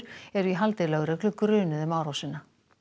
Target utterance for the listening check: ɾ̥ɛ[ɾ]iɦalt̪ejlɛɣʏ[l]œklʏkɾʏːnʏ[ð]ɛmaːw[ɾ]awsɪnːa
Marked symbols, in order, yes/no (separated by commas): yes, no, yes, yes